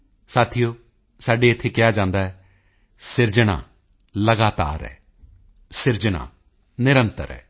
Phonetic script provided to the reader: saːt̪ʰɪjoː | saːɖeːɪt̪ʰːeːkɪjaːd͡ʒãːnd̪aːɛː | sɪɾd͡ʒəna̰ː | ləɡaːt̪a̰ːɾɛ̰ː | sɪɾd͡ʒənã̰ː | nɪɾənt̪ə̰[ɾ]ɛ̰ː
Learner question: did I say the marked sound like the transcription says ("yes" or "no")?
yes